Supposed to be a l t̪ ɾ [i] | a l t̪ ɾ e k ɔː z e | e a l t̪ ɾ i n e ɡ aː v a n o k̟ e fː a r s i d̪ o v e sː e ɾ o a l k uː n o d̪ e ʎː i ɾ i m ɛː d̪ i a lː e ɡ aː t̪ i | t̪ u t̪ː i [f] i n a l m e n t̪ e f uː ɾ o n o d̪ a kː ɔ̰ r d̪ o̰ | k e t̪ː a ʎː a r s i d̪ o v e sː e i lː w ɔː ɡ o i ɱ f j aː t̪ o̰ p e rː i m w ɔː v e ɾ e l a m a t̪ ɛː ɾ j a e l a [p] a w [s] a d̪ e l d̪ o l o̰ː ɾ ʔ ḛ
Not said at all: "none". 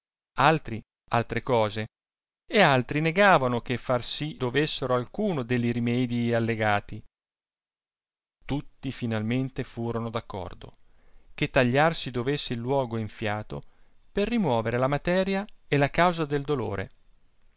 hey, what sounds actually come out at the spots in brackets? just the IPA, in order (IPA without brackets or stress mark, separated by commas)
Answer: i, f, k, z